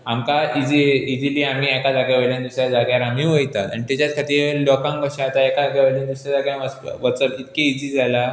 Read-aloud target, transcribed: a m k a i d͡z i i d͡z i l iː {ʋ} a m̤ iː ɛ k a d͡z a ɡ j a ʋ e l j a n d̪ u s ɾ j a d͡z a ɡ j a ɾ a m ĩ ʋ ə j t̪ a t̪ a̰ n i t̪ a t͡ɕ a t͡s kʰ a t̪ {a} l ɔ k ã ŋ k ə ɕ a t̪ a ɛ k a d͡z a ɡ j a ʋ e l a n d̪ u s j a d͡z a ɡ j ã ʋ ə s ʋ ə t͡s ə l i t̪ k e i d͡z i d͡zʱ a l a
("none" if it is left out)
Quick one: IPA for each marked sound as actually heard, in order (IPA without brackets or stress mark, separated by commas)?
none, i